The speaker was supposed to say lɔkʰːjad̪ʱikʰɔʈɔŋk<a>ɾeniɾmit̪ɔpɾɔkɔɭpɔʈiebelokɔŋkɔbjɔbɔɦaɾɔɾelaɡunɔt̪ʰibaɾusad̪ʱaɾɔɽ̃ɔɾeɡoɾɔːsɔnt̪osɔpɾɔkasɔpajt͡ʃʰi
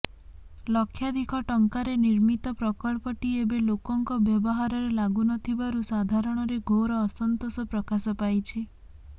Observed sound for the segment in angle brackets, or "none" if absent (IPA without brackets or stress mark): a